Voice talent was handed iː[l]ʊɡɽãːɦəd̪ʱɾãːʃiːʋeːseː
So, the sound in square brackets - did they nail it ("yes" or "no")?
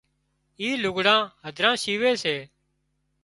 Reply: yes